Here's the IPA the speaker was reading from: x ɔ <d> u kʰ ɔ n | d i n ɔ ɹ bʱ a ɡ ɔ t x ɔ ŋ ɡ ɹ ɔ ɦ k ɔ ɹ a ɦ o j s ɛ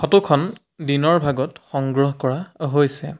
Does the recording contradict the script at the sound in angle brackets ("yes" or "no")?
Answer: yes